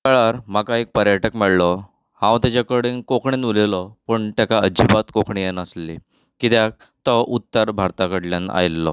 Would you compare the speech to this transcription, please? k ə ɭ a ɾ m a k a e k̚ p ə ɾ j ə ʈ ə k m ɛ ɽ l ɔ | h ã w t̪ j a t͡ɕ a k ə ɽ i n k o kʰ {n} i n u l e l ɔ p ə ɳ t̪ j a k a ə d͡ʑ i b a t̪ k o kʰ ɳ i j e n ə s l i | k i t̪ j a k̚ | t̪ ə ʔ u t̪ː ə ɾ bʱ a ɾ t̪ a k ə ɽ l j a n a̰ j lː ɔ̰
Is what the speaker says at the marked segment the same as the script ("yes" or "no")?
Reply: no